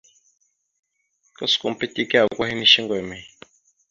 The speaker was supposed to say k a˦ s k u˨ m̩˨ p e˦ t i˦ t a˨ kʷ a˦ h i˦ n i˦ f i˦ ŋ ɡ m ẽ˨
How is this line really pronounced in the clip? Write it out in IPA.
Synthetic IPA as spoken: k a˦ s k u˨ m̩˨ p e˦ t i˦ k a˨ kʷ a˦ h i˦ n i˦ ʃ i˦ ŋ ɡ m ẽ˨